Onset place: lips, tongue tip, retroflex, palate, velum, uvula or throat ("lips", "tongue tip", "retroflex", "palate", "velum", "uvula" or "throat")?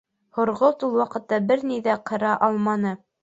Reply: throat